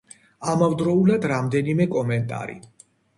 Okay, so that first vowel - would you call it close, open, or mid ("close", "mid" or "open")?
open